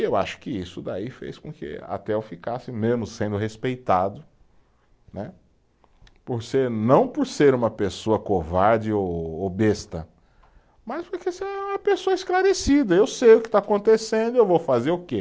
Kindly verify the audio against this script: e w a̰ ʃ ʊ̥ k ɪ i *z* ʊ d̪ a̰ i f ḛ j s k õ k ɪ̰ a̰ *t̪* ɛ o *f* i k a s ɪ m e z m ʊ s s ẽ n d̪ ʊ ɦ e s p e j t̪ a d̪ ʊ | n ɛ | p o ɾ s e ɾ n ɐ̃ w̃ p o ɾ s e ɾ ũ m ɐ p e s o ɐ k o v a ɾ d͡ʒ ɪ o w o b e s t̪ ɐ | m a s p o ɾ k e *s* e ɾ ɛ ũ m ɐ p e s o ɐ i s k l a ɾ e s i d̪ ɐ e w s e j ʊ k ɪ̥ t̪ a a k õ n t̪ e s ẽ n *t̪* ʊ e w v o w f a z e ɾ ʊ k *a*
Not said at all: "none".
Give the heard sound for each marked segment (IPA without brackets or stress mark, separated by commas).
s, t̪, f, s, d̪, e